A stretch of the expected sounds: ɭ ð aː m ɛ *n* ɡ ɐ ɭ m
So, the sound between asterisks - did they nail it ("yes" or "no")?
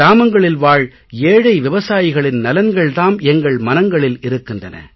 no